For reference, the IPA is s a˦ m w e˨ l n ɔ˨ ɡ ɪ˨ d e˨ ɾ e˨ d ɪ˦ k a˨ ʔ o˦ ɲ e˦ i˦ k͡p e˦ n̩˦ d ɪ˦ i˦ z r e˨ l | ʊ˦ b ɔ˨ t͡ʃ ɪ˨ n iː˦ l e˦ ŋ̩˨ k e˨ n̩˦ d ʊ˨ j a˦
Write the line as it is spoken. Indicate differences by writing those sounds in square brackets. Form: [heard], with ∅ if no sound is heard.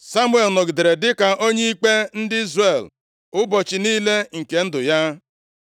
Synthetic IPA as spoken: s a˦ m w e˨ l n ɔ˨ ɡ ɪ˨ d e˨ ɾ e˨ d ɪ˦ k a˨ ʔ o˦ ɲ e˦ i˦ k͡p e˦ n̩˦ d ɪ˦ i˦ z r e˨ l | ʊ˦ b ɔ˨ t͡ʃ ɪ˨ n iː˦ l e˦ ŋ̩˨ k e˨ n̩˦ d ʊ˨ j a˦